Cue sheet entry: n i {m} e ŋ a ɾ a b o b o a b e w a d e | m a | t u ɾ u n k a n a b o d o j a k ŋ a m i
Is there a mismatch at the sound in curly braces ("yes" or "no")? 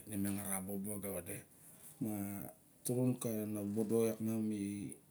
no